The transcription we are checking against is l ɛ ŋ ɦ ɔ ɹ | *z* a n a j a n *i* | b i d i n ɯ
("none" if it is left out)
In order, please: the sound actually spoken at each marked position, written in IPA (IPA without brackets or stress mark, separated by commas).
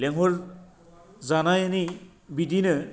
z, i